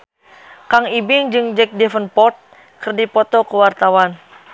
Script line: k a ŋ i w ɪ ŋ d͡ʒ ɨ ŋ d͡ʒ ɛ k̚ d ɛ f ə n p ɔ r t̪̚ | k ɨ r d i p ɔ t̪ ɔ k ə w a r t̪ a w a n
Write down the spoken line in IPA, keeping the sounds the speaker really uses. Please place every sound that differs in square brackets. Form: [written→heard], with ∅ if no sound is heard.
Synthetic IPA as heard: k a ŋ i [w→b] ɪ ŋ d͡ʒ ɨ ŋ d͡ʒ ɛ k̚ d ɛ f ə n p ɔ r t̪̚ | k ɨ r d i p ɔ t̪ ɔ k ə w a r t̪ a w a n